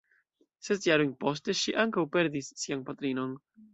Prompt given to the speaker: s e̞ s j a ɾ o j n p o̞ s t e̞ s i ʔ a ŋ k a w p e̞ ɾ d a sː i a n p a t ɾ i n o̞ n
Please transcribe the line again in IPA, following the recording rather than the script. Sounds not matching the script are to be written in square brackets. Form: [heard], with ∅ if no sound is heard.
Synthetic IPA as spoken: s e̞ s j a ɾ o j n p o̞ s t e̞ [ʃ] i ʔ a ŋ k a w p e̞ ɾ d [i] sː i a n p a t ɾ i n o̞ n